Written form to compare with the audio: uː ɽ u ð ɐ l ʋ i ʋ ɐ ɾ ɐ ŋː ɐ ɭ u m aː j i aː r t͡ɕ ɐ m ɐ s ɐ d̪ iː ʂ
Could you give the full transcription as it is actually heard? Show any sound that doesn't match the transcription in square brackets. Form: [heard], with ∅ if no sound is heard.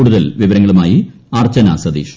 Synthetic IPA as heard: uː ɽ u ð ɐ l ʋ i ʋ ɐ ɾ ɐ ŋː ɐ ɭ u m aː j i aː r t͡ɕ ɐ [n] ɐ s ɐ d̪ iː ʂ